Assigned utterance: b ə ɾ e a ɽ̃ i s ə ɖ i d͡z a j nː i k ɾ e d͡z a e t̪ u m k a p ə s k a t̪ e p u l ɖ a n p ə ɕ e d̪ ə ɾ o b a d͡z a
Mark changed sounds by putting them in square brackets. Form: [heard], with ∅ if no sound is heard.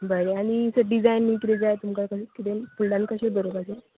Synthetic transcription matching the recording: b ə ɾ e a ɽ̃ i s ə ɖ i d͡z a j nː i k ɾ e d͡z a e t̪ u m k a [k] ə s k [i] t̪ e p u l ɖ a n [k] ə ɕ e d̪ ə ɾ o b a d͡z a